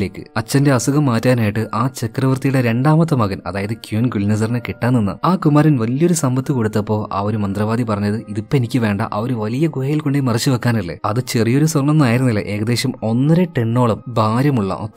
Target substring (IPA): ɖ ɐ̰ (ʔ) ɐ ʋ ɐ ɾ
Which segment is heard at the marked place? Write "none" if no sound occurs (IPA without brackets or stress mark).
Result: ʔ